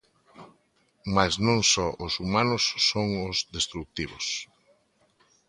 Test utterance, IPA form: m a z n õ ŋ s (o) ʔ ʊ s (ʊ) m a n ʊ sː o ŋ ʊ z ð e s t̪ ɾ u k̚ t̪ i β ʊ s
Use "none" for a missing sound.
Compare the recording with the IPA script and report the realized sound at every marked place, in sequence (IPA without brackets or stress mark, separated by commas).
ɔ, u